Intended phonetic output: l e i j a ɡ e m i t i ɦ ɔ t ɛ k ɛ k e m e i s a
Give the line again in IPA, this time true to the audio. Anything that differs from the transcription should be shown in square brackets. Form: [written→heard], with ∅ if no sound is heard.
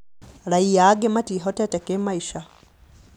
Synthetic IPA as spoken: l [e→a] i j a ɡ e m [i→a] t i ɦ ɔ t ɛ [k→t] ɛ k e m [e→a] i [s→ʃ] a